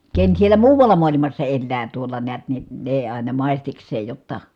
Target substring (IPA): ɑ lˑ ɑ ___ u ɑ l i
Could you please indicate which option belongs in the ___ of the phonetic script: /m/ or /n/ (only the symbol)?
m